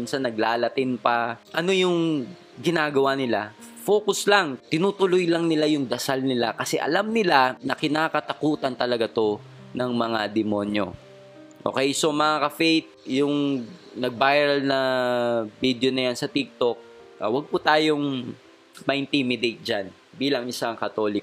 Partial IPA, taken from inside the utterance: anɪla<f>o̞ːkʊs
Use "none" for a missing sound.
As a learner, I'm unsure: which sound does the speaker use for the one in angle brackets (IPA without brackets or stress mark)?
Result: f